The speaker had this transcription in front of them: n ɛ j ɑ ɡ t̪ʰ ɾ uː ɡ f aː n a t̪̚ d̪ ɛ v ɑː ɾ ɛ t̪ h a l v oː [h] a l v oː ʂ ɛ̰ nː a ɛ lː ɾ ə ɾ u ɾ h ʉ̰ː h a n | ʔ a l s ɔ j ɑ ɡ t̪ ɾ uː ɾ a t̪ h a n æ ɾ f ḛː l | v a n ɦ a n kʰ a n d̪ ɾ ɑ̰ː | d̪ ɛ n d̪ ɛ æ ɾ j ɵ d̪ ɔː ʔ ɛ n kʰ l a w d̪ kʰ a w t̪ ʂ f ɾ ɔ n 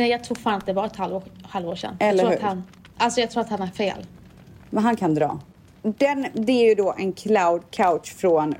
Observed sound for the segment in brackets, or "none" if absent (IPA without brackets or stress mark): h